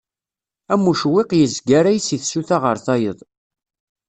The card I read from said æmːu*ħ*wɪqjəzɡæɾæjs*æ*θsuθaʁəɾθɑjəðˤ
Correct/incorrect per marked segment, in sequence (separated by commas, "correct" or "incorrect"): incorrect, incorrect